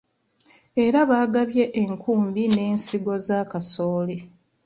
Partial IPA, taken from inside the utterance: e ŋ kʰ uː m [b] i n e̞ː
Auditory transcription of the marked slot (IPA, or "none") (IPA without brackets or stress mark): b